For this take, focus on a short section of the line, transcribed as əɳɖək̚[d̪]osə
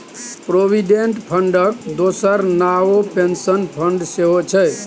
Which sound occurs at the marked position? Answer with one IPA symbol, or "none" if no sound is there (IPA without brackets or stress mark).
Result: d̪